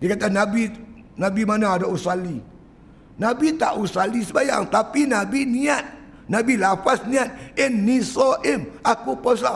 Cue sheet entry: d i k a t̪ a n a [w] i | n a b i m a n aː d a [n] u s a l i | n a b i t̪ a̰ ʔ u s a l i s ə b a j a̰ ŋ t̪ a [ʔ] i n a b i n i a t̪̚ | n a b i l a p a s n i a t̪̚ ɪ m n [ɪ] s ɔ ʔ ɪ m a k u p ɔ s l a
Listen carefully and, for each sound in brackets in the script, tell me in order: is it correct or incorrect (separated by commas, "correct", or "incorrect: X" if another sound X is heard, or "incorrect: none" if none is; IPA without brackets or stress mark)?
incorrect: b, incorrect: none, incorrect: p, incorrect: i